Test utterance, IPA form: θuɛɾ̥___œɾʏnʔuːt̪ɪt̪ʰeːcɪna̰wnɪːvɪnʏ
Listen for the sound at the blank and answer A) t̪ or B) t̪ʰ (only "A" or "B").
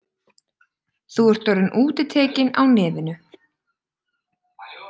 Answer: A